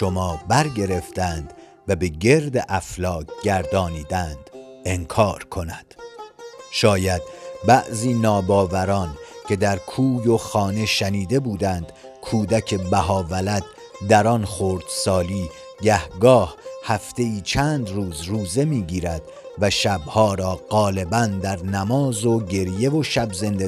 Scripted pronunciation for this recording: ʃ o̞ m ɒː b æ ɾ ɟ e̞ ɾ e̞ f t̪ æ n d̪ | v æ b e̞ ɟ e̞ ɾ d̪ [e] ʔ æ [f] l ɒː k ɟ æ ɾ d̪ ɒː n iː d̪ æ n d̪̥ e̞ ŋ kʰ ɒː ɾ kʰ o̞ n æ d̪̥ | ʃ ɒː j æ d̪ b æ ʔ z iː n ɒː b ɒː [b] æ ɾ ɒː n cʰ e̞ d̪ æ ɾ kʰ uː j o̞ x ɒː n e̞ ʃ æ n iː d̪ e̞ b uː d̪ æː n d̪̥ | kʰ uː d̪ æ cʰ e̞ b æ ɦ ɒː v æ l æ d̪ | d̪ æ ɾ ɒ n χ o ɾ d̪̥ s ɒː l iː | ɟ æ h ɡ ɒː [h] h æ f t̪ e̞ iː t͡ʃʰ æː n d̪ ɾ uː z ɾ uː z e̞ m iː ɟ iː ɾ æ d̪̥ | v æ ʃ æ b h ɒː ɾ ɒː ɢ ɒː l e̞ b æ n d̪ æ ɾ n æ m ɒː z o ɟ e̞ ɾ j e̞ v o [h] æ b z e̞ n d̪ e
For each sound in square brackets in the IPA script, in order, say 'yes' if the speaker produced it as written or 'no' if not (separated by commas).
yes, yes, no, yes, no